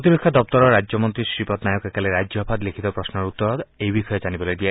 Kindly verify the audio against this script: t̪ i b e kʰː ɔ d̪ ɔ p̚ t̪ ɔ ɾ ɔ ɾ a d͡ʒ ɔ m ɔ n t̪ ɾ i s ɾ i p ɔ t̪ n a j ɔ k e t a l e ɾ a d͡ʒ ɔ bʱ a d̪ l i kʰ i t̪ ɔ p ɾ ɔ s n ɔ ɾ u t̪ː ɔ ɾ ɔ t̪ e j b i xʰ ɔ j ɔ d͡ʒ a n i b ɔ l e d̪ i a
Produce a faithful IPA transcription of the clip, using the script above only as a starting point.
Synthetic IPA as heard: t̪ i b e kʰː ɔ d̪ ɔ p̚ t̪ ɔ ɾ ɔ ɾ a d͡ʒ ɔ m ɔ n t̪ ɾ i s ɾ i p ɔ t̪ n a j ɔ k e k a l e ɾ a d͡ʒ ɔ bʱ a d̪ l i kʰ i t̪ ɔ p ɾ ɔ s n ɔ ɾ u t̪ː ɔ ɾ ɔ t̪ e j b i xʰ ɔ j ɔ d͡ʒ a n i b ɔ l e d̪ i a

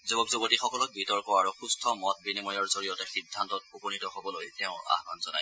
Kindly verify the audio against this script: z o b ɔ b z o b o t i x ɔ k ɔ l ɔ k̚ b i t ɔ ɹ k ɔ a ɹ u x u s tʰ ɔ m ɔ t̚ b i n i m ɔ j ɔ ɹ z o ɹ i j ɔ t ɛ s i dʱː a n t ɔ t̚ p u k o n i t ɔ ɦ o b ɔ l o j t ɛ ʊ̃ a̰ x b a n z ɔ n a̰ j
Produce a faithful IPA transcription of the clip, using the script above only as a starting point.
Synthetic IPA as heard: z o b ɔ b z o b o t i x ɔ k ɔ l ɔ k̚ b i t ɔ ɹ k ɔ a ɹ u x u s tʰ ɔ m ɔ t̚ b i n i m ɔ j ɔ ɹ z o ɹ i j ɔ t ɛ x i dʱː a n t ɔ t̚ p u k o n i t ɔ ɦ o b ɔ l o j t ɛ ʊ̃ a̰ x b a n z ɔ n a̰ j

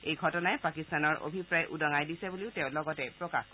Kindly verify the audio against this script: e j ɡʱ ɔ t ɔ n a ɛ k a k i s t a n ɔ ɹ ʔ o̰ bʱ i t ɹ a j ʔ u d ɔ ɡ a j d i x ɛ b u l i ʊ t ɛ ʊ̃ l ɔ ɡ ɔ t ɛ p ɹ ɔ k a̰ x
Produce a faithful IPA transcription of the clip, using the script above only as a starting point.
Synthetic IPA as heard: e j ɡʱ ɔ t ɔ n a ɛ p a k i s t a n ɔ ɹ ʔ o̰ bʱ i p ɹ a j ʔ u d ɔ ŋ a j d i s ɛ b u l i ʊ t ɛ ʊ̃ l ɔ ɡ ɔ t ɛ p ɹ ɔ k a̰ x

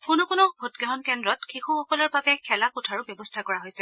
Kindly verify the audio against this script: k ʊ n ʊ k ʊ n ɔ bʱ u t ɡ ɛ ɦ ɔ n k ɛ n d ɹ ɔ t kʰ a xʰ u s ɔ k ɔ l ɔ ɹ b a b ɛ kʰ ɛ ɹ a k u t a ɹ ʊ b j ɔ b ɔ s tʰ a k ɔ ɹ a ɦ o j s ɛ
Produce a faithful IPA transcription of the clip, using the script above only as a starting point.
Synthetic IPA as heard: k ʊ n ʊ k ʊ n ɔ bʱ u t ɡ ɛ ɦ ɔ n k ɛ n d ɹ ɔ t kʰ i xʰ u x ɔ k ɔ l ɔ ɹ b a b ɛ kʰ ɛ l a k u tʰ a ɹ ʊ b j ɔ b ɔ s tʰ a k ɔ ɹ a ɦ o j s ɛ

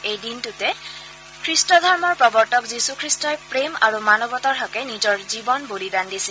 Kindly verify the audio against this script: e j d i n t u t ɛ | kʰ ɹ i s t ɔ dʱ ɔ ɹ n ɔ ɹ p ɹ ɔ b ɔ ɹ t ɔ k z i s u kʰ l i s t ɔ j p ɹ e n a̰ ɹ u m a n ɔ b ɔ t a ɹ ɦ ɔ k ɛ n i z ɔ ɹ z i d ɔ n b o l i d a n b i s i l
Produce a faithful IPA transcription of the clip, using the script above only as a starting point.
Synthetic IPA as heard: e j d i n t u t ɛ | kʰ ɹ i s t ɔ dʱ ɔ ɹ m ɔ ɹ p ɹ ɔ b ɔ ɹ t ɔ k z i s u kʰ ɹ i s t ɔ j p ɹ e m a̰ ɹ u m a n ɔ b ɔ t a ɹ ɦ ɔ k ɛ n i z ɔ ɹ z i b ɔ n b o l i d a n d i s i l

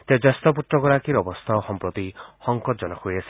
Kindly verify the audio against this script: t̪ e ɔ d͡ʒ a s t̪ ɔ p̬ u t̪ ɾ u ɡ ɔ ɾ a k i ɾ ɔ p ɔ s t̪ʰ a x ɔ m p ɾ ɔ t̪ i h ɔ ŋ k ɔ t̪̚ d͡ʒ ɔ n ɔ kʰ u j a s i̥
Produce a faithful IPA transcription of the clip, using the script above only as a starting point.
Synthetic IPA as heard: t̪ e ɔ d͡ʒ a s t̪ ɔ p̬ u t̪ ɾ ɔ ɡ ɔ ɾ a k i ɾ ɔ b ɔ s t̪ʰ a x ɔ m p ɾ ɔ t̪ i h ɔ ŋ k ɔ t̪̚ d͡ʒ ɔ n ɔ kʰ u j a s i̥

